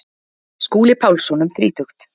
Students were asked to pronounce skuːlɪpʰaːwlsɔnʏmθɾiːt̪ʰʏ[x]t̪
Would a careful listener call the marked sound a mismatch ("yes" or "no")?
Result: no